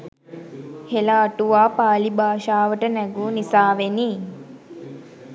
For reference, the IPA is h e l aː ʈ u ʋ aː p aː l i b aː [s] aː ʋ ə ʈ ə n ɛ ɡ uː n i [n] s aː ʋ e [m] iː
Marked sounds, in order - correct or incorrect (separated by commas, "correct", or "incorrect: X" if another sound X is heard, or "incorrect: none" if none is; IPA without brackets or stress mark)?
incorrect: ʃ, incorrect: none, incorrect: n